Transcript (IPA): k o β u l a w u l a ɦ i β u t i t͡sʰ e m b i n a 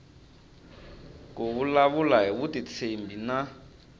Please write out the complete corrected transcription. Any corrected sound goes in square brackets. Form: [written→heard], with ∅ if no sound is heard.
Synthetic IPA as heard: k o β u l a [w→β] u l a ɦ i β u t i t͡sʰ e m b i n a